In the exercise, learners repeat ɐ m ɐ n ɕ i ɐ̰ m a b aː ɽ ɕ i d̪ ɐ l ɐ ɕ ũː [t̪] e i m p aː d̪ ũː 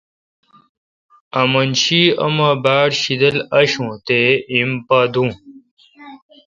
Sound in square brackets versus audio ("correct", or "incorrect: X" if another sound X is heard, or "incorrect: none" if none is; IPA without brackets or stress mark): correct